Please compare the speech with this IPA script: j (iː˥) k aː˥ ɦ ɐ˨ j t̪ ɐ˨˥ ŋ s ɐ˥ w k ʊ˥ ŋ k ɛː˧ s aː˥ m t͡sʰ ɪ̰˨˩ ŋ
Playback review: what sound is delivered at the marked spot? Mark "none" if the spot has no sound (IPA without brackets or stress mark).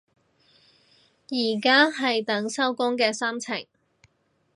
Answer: iː˨˩